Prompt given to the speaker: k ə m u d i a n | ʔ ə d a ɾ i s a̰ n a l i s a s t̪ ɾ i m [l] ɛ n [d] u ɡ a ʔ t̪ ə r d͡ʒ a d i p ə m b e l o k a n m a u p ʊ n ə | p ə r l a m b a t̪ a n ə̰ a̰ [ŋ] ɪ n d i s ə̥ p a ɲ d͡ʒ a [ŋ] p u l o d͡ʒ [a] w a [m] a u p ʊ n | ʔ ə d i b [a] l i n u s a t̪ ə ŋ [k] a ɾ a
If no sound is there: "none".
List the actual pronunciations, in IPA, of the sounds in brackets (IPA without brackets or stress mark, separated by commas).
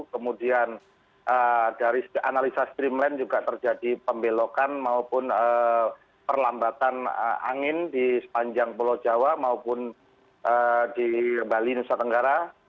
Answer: l, d͡ʒ, ŋ, ŋ, a, m, a, ɡ